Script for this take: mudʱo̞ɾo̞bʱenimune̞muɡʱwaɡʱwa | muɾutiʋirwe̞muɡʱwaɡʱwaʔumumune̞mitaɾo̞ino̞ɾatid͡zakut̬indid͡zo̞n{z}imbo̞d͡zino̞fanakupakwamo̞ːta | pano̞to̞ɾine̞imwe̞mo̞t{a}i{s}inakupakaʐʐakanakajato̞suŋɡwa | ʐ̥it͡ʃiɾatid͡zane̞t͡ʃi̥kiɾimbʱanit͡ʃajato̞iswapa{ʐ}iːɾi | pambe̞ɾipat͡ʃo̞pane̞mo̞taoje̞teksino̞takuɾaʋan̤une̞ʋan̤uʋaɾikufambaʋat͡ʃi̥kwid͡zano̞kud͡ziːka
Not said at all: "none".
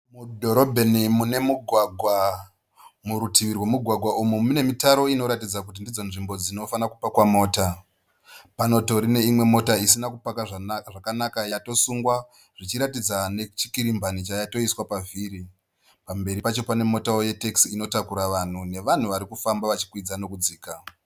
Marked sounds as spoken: ʐ, a, s, v

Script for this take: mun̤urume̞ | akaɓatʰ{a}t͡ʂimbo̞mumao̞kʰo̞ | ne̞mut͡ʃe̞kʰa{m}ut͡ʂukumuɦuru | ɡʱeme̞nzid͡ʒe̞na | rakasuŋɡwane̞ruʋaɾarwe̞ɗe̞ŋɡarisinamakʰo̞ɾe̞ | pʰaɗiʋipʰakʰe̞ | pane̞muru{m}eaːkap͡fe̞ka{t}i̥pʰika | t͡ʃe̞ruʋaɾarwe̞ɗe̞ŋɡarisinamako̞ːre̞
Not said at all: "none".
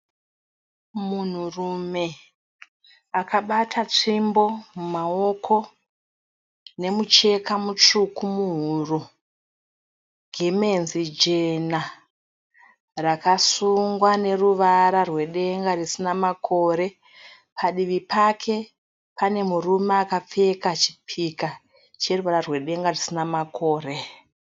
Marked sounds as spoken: a, m, m, t͡ʃ

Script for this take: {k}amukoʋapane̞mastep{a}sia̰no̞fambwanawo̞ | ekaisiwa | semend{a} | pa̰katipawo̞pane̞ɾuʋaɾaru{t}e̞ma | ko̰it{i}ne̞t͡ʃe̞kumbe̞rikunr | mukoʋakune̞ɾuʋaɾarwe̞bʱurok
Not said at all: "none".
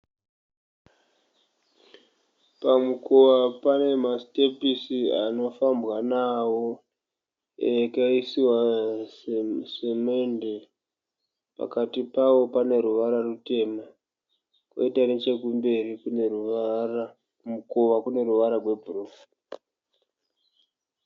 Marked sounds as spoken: p, i, e, t, a

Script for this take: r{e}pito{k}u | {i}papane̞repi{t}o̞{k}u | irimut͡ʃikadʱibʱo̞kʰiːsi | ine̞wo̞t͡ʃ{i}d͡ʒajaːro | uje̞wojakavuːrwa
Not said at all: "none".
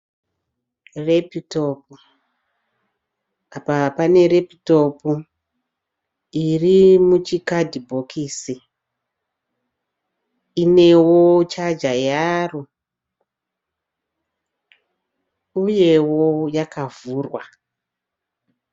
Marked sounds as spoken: e, p, a, t, p, a

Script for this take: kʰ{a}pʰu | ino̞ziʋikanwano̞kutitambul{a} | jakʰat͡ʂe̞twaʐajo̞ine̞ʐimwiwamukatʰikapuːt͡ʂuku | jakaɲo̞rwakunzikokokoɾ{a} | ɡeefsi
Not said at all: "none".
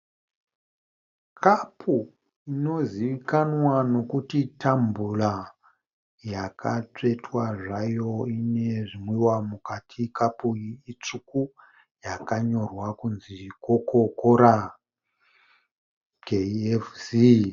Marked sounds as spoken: a, a, a

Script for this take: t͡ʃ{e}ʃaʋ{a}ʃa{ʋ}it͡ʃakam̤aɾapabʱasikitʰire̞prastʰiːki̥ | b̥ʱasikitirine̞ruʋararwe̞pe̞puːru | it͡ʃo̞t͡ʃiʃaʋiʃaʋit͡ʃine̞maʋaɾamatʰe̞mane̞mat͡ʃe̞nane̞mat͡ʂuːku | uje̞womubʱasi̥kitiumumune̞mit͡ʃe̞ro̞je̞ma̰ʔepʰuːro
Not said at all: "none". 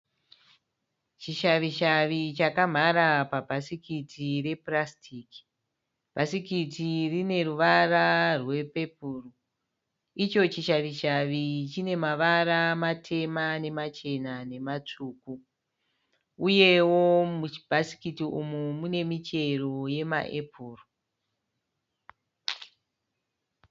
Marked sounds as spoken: i, i, ʋ

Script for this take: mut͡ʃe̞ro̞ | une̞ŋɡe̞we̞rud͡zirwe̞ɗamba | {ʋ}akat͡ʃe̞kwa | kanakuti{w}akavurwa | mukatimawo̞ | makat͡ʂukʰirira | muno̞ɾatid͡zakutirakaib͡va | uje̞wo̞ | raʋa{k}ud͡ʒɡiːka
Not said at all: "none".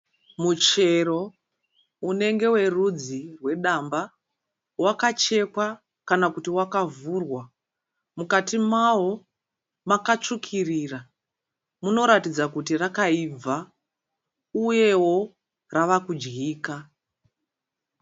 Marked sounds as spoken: w, w, k

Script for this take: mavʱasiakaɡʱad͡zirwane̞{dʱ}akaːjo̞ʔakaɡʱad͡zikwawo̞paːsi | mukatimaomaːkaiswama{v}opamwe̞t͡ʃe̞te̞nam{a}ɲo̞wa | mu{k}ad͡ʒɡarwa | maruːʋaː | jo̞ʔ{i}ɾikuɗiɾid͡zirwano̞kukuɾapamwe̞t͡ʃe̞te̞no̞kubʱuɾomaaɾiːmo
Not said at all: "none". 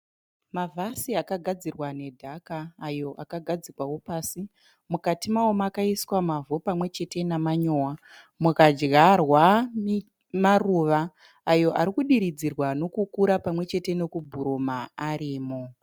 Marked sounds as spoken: dʱ, v, a, k, a

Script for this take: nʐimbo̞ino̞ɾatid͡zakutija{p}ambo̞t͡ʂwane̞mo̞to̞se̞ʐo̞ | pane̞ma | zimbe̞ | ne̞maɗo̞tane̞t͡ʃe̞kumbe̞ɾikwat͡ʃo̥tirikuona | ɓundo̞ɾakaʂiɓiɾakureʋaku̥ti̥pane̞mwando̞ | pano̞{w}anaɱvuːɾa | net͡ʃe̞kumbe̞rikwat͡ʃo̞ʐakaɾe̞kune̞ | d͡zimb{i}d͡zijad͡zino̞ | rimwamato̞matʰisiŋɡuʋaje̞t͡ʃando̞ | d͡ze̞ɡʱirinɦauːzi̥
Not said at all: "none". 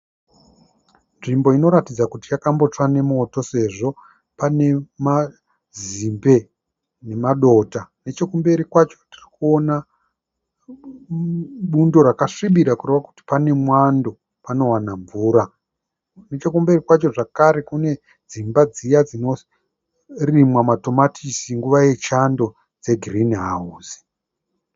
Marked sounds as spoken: k, w, a

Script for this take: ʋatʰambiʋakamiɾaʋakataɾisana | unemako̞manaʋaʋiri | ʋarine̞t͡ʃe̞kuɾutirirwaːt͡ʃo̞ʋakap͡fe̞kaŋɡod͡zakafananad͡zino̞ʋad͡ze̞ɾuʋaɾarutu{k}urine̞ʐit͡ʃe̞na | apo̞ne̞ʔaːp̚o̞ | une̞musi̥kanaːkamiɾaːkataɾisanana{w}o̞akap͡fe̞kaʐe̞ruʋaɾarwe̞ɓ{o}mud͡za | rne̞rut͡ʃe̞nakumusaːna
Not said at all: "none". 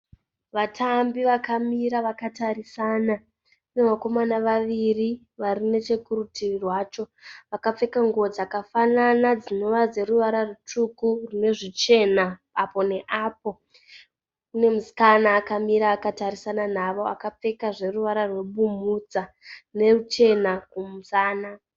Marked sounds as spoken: k, ʋ, u

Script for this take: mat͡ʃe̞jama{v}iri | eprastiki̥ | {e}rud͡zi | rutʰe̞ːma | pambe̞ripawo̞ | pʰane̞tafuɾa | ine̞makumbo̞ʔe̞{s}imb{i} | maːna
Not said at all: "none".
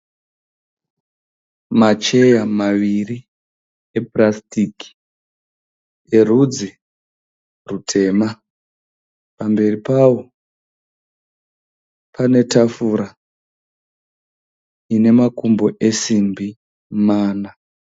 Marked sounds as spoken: ʋ, e, s, i

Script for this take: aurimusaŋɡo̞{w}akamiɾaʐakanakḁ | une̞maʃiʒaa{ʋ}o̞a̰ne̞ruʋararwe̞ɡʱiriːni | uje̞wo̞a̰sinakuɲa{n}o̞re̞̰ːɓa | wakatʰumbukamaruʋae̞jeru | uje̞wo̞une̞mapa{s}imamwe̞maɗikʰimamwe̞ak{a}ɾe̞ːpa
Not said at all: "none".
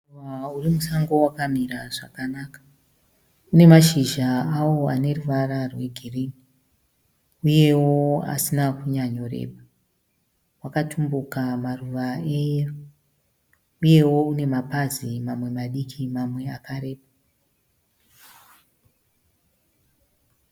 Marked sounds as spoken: w, w, ɲ, z, a

